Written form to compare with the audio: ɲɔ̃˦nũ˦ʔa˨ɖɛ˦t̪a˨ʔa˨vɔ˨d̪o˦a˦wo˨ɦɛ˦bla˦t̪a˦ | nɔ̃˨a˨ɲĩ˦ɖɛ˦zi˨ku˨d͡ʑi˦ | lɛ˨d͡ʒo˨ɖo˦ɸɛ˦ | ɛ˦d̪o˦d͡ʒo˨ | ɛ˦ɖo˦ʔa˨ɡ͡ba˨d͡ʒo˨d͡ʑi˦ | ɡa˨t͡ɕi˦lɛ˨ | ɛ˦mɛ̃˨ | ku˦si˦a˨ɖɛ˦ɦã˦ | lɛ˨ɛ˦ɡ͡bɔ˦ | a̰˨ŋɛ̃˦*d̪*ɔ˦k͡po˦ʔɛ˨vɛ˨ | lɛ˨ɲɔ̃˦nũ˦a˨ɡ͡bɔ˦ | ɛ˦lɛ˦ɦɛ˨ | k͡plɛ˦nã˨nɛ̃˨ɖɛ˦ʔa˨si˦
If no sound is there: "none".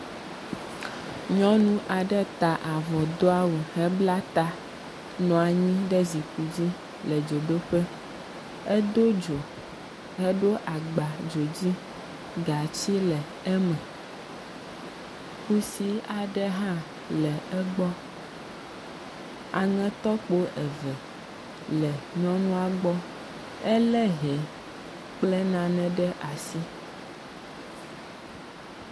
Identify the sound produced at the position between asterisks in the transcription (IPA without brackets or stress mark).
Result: t̪